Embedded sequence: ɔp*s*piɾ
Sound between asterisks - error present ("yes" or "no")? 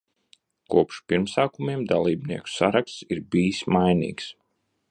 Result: yes